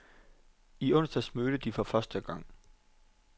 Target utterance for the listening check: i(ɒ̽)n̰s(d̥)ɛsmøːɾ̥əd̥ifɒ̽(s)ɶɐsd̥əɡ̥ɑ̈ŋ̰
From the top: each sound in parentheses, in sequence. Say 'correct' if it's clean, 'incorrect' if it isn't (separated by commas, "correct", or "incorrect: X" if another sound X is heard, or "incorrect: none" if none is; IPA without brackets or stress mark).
incorrect: ɔ̽, correct, incorrect: f